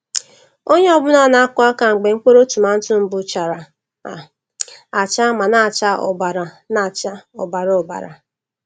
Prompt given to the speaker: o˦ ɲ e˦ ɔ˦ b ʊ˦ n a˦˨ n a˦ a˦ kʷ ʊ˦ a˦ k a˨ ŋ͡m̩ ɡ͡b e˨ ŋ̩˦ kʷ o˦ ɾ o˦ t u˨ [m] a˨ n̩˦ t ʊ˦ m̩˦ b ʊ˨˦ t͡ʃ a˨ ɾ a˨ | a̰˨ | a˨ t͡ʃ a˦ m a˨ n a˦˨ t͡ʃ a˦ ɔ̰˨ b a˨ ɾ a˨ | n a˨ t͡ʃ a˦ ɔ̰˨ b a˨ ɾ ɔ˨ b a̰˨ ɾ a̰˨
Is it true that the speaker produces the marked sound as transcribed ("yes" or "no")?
yes